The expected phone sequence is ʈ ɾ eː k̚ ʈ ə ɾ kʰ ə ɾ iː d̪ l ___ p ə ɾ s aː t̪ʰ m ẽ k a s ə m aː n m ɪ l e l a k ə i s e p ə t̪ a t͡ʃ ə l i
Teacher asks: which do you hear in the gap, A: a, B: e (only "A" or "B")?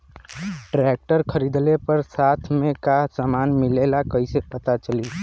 B